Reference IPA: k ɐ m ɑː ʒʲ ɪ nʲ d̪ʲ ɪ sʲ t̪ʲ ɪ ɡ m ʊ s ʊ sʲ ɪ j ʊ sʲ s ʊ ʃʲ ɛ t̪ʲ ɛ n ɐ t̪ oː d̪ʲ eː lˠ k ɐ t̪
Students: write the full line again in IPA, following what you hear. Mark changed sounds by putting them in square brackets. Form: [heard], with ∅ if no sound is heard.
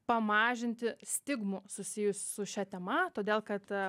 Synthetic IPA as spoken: [p] ɐ m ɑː ʒʲ ɪ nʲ [t̪ʲ] ɪ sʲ t̪ʲ ɪ ɡ m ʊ s ʊ sʲ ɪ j ʊ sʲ s ʊ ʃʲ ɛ t̪ʲ ɛ [m] ɐ t̪ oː d̪ʲ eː lˠ k ɐ t̪